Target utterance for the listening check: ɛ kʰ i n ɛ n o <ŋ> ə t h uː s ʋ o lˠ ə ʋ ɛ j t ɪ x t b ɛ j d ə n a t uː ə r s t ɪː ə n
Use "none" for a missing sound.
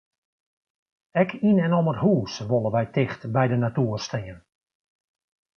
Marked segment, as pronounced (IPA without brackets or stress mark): m